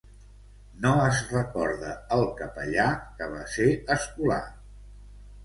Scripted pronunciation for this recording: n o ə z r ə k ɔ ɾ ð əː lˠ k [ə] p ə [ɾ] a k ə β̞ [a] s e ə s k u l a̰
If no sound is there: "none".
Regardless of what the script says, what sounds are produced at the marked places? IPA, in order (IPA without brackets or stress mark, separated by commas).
ə, ʎ, a